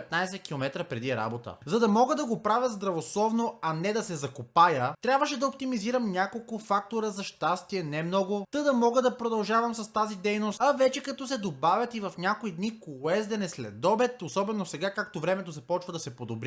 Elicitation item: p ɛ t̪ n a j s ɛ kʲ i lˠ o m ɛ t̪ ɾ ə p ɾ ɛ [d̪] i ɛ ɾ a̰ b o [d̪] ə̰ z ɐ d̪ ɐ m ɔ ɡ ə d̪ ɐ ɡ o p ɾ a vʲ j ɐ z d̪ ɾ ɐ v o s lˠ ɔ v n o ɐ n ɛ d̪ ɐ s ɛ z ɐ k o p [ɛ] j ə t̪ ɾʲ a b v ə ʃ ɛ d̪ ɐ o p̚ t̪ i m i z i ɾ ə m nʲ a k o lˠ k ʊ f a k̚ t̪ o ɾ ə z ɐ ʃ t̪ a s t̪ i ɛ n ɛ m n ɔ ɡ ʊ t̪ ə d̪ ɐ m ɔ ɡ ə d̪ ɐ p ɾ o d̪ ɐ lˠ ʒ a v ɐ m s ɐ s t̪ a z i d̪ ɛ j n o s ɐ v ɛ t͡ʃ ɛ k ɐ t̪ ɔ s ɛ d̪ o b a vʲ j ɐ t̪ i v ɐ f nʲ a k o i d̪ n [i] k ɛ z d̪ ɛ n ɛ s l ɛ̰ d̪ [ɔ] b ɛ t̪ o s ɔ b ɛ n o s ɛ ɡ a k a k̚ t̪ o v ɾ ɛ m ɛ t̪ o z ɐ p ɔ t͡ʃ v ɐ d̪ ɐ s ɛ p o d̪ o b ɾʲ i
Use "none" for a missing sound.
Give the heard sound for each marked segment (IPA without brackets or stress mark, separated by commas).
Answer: d̪, t̪, a, i, ɔ